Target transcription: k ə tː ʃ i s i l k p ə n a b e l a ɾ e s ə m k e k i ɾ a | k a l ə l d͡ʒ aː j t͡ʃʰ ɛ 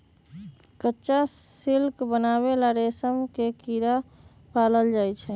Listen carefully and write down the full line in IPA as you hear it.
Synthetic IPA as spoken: k ə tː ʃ a s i l k b ə n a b e l a ɾ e s ə m k e k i ɾ a | p a l ə l d͡ʒ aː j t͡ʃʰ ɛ